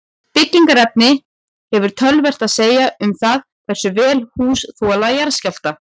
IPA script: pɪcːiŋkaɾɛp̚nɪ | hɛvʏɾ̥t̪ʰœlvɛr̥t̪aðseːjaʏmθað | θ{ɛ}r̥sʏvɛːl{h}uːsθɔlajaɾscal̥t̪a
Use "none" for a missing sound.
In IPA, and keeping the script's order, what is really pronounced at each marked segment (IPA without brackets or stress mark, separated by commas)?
ɛ, h